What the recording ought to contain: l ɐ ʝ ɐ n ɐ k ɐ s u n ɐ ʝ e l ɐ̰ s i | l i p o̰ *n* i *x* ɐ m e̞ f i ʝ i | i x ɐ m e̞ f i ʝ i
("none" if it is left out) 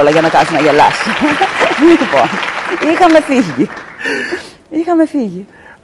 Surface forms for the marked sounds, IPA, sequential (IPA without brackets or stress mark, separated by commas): n, x